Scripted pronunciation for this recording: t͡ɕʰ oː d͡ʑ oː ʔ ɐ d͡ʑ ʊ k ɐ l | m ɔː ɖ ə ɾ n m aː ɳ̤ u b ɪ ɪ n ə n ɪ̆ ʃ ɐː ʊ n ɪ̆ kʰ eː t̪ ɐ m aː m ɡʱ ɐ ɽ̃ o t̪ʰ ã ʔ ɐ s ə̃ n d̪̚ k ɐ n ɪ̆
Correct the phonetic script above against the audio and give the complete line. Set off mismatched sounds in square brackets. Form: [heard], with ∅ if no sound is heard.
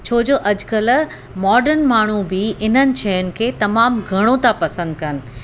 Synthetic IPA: t͡ɕʰ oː d͡ʑ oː ʔ ɐ d͡ʑ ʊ k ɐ l | m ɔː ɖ ə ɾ n m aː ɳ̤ u b ɪ ɪ n ə n ɪ̆ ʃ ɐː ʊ n ɪ̆ kʰ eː t̪ ɐ m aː m ɡʱ ɐ ɽ̃ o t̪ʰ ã [p] ɐ s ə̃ n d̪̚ k ɐ n ɪ̆